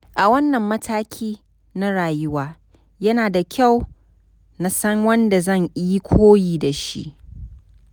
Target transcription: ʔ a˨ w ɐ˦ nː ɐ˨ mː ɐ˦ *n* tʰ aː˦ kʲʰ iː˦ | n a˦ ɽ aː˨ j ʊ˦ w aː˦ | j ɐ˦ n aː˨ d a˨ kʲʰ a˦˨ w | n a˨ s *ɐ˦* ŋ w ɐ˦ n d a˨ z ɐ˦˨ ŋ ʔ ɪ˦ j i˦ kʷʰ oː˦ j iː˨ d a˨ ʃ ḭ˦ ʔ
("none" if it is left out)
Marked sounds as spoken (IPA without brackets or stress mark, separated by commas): none, ɐ˦